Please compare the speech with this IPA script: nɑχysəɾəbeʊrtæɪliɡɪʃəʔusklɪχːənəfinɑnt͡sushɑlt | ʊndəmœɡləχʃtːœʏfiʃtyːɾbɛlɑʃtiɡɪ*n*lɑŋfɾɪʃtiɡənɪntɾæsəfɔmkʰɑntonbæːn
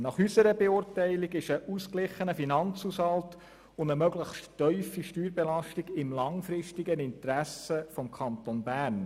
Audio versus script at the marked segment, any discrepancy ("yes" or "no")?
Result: yes